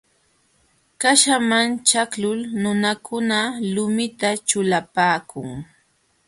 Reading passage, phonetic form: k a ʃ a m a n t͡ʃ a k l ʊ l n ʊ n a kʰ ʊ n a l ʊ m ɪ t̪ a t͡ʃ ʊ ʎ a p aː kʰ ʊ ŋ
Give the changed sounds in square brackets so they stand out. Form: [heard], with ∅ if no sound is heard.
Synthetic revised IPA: k a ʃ a m a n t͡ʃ a k l ʊ l n ʊ n a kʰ ʊ n a l ʊ m ɪ t̪ a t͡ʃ ʊ [l] a p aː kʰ ʊ ŋ